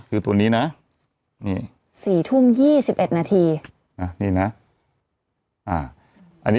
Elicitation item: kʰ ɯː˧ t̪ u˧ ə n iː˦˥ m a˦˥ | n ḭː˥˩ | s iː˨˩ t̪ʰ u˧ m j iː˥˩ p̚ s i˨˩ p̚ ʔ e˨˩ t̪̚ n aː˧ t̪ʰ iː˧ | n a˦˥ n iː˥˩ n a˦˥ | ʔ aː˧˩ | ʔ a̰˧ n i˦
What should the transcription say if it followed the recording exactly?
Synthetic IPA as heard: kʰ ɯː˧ t̪ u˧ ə n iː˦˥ n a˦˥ | n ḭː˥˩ | s iː˨˩ t̪ʰ u˥˩˨ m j iː˥˩ s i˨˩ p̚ ʔ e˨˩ t̪̚ n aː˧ t̪ʰ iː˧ | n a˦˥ n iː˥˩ n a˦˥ | ʔ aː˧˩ | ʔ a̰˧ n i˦

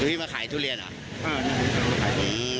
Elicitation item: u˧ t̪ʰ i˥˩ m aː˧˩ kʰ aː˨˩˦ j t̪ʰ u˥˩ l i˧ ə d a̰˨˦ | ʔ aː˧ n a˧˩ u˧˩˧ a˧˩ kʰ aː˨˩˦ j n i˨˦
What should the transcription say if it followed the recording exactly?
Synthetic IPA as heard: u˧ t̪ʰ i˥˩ m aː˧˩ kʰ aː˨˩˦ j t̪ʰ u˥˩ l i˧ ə n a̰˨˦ | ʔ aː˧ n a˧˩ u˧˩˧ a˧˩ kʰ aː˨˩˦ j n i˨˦

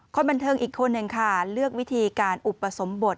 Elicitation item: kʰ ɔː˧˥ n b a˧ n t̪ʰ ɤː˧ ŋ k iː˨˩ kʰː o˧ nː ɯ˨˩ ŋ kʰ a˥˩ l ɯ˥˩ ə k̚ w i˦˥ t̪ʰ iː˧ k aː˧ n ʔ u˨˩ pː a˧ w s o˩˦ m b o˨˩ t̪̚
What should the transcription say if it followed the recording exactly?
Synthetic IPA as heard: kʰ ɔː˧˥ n b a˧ n t̪ʰ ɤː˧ ŋ ʔ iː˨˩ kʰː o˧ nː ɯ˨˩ ŋ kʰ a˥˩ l ɯ˥˩ ə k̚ w i˦˥ t̪ʰ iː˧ k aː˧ n ʔ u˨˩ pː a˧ s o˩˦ m b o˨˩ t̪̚

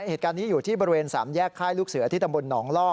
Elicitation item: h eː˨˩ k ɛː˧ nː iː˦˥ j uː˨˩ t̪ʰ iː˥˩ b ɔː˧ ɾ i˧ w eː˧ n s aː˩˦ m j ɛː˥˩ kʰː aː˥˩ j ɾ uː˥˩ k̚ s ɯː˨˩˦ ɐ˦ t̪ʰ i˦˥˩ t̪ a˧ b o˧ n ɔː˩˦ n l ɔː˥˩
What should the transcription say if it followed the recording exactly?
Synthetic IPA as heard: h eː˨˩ k aː˧ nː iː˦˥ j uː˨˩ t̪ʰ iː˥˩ b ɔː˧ ɾ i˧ w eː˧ n s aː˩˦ m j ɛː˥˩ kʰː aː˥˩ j l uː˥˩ k̚ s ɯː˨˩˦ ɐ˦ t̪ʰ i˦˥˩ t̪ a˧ b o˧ nː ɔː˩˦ ŋ l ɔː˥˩

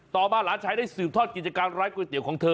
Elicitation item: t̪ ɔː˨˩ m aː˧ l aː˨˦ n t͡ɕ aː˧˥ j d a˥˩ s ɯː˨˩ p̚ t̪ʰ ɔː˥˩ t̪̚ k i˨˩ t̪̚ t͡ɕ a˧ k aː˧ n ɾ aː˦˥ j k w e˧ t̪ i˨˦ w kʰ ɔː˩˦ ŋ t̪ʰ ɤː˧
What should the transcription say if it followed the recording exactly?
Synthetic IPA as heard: t̪ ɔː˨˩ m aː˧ l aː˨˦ n t͡ɕʰ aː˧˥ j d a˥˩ s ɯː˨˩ p̚ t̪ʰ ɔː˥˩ t̪̚ k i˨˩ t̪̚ t͡ɕ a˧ k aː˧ n ɾ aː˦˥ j k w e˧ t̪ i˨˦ w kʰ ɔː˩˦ ŋ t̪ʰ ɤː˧

